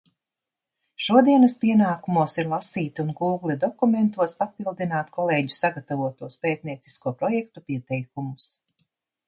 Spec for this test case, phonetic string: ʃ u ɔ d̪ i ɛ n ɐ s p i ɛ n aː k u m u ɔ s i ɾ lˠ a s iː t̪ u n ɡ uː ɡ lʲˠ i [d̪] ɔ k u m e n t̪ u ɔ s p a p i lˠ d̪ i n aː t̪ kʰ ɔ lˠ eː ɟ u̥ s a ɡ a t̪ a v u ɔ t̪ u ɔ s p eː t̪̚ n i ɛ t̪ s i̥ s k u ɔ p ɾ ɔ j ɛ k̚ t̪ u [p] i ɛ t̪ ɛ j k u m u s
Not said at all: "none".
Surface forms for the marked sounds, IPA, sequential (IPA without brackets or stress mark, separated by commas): d̪, p